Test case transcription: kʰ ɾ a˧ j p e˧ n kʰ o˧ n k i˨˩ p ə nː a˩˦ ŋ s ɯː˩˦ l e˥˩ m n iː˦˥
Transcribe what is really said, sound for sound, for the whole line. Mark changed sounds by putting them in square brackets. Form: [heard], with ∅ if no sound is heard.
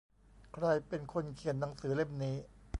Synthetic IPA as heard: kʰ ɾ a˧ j p e˧ n kʰ o˧ n [kʰ] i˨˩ [∅] ə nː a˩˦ ŋ s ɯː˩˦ l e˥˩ m n iː˦˥